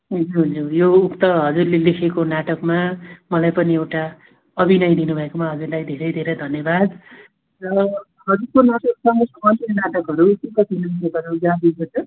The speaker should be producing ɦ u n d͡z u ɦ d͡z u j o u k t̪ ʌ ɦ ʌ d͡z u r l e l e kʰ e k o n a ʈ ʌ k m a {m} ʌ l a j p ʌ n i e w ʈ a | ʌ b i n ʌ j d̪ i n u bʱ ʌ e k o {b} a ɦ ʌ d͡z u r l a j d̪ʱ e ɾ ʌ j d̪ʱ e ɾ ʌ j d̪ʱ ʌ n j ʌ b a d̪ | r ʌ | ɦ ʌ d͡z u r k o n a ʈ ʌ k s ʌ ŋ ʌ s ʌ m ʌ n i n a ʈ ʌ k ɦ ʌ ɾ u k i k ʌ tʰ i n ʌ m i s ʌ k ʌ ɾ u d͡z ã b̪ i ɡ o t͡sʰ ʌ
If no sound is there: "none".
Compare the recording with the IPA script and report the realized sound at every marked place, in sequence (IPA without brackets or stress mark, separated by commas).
m, m